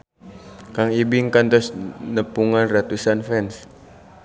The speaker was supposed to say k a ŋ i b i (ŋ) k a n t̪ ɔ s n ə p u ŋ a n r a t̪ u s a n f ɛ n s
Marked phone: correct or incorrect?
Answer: correct